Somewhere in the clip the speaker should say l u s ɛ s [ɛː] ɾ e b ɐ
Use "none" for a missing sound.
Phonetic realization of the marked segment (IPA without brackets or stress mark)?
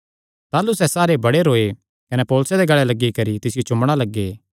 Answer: aː